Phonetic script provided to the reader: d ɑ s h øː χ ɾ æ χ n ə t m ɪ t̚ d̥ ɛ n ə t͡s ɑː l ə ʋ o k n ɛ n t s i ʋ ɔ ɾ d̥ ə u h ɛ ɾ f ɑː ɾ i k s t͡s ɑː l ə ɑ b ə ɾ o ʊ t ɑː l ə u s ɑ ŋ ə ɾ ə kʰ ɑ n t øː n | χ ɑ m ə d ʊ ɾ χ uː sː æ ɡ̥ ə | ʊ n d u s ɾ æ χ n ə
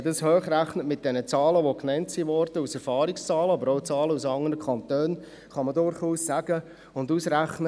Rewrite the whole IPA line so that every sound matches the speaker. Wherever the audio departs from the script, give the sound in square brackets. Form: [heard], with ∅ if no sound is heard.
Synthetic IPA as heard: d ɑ s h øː χ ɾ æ χ n ə t m ɪ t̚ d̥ ɛ n ə t͡s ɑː l ə ʋ o k n ɛ n t s i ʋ ɔ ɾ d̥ ə u [s] ɛ ɾ f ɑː ɾ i k s t͡s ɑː l ə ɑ b ə ɾ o ʊ [t͡s] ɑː l ə u s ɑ ŋ ə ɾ ə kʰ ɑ n t øː n | χ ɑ m ə d ʊ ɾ χ uː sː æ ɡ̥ ə | ʊ n d u s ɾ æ χ n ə